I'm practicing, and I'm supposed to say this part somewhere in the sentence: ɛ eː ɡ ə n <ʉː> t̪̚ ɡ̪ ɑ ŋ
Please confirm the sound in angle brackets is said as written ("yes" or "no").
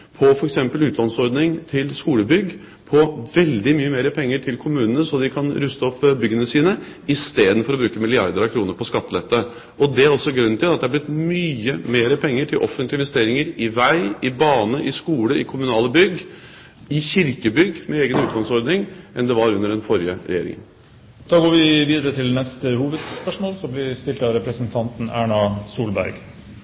yes